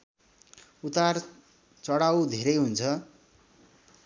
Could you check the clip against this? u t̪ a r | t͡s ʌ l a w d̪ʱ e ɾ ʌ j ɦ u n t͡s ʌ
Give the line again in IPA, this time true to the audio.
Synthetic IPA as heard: u t̪ a r | t͡s ʌ ɽ a w d̪ʱ e ɾ ʌ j ɦ u n t͡sʰ ʌ